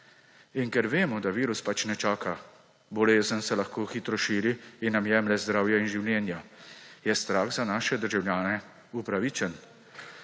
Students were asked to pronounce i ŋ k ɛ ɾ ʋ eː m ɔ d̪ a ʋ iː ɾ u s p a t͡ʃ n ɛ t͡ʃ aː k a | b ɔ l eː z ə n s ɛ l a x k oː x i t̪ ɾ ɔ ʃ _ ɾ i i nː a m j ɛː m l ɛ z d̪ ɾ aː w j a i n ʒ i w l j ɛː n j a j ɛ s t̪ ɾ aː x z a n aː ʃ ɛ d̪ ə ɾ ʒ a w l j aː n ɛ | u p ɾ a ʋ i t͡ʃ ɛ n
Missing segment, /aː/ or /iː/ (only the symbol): iː